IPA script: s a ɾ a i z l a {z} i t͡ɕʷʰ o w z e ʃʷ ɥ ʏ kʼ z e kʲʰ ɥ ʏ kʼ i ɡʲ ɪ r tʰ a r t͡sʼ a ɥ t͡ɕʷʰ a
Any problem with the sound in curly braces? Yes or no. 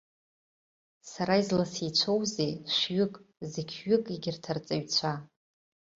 yes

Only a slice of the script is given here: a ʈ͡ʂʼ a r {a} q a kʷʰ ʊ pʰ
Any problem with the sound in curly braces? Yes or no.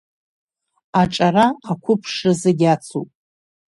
no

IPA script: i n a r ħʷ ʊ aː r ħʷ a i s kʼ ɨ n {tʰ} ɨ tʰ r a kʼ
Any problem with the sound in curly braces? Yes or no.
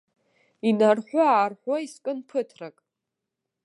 yes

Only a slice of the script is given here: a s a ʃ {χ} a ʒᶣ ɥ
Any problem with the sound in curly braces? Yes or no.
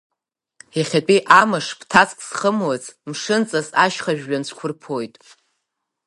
no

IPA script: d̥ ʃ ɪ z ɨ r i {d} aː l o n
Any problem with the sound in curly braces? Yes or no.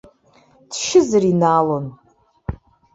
yes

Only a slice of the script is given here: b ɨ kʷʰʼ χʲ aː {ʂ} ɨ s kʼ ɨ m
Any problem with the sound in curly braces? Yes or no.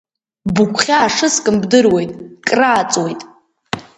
no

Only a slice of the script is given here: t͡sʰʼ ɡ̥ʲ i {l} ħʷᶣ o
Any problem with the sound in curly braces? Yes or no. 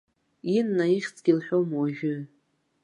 no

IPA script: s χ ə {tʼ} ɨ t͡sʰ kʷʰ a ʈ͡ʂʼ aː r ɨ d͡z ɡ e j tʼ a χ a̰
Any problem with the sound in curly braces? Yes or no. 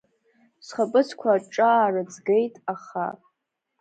yes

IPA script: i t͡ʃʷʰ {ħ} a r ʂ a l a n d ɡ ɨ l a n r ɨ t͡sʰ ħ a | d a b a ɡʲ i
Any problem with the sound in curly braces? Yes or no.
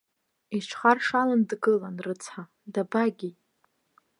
yes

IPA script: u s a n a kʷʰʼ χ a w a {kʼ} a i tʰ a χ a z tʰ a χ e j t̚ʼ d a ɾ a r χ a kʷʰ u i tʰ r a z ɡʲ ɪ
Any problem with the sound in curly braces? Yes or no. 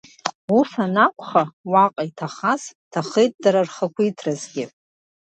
yes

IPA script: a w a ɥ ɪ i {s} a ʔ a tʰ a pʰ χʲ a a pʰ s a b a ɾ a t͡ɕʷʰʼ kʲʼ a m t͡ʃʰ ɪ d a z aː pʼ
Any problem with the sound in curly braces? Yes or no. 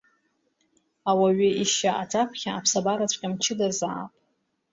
yes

